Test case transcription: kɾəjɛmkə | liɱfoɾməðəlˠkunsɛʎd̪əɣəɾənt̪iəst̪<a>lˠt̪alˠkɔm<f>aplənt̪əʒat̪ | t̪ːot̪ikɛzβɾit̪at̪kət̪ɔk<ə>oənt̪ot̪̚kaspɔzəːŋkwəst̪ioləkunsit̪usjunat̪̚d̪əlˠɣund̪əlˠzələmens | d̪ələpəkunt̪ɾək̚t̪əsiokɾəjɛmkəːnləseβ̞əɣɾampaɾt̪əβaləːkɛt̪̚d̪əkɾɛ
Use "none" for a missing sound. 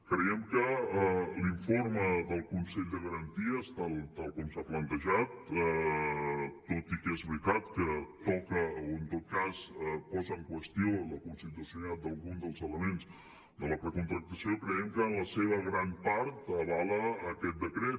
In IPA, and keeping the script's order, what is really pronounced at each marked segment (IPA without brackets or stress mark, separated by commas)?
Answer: a, s, ə